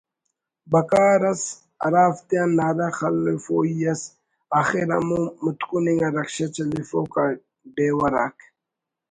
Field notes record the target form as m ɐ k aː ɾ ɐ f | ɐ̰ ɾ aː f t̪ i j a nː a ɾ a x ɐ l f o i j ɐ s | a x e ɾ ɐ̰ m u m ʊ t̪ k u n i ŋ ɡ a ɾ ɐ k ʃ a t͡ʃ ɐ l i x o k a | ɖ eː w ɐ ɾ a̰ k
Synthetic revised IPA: b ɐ k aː ɾ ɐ s | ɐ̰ ɾ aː f t̪ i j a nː a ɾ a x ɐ l f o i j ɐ s | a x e ɾ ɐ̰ m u m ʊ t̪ k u n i ŋ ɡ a ɾ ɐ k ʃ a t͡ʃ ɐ l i f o k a | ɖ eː w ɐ ɾ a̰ k

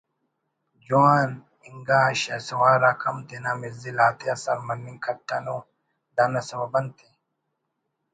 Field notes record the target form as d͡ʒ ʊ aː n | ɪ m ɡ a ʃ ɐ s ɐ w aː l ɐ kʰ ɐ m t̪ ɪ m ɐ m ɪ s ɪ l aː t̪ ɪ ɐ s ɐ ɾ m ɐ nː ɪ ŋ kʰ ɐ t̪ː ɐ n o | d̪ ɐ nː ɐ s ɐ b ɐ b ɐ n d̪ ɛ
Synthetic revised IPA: d͡ʒ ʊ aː n | ɪ ŋ ɡ a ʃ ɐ s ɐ w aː ɾ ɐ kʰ ɐ m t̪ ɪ n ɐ m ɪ z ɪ l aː t̪ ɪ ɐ s ɐ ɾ m ɐ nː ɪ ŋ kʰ ɐ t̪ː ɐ n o | d̪ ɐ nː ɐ s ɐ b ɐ b ɐ n t̪ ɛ

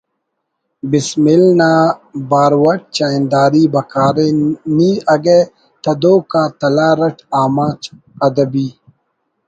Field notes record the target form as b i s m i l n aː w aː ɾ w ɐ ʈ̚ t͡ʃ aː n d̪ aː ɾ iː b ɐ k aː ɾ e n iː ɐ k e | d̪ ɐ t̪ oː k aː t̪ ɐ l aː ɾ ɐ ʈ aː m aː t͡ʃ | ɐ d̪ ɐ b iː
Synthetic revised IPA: b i s m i l n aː b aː ɾ w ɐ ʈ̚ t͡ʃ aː n d̪ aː ɾ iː b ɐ k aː ɾ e n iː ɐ ɡ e | t̪ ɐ d̪ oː k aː t̪ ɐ l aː ɾ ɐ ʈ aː m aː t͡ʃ | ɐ d̪ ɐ b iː

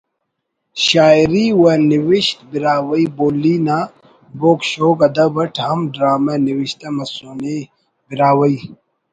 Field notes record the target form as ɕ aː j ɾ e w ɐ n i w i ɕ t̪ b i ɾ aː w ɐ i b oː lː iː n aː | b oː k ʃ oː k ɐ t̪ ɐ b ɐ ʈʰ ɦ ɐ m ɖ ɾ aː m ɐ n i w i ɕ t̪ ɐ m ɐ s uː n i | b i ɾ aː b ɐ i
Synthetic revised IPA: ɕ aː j ɾ i w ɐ n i w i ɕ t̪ b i ɾ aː w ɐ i b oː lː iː n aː | b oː k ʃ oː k ɐ d̪ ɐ b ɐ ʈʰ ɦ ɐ m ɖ ɾ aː m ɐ n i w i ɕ t̪ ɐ m ɐ s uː n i | b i ɾ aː w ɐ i

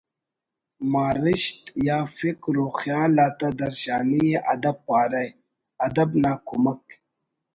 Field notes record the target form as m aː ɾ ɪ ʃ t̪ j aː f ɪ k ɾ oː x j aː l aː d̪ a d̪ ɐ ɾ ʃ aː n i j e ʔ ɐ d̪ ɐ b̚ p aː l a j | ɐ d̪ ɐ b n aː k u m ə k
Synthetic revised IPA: m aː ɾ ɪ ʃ t̪ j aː f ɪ k ɾ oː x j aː l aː t̪ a d̪ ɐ ɾ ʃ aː n i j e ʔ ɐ d̪ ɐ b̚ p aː ɾ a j | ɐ d̪ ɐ b n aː k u m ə k

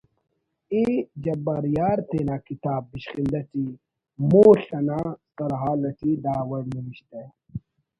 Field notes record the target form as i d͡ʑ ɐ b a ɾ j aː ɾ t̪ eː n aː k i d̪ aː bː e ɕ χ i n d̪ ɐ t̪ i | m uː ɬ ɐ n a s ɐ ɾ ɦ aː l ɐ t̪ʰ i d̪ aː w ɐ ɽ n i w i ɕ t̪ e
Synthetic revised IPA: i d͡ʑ ɐ b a ɾ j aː ɾ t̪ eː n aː k i t̪ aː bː i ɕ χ i n d̪ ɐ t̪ i | m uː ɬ ɐ n a s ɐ ɾ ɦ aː l ɐ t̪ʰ i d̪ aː w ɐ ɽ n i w i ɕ t̪ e

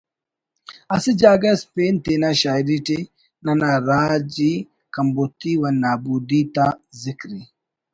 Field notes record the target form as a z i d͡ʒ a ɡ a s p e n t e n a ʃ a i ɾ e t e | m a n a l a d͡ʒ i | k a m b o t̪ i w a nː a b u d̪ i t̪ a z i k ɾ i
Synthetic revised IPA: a s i d͡ʒ a ɡ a s p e n t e n a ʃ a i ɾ i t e | n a n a ɾ a d͡ʒ i | k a m b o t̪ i w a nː a b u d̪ i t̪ a z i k ɾ i

